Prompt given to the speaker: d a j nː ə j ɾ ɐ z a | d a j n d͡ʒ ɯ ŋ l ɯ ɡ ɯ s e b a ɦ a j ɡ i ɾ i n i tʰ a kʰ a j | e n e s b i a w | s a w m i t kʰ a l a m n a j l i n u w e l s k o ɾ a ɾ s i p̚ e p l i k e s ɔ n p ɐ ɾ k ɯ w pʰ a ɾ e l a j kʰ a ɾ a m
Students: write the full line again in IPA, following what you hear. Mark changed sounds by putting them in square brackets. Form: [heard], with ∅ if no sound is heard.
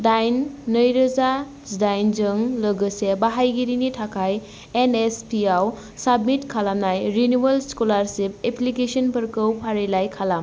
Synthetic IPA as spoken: d a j nː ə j ɾ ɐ z a | d a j n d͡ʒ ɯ ŋ l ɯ ɡ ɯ s e b a ɦ a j ɡ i ɾ i n i tʰ a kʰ a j | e n e s [p] i a w | s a [b] m i t kʰ a l a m n a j [ɾ] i n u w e l s k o [l] a ɾ s i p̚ e p l i k e s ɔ n p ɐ ɾ k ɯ w pʰ a ɾ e l a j kʰ a [l] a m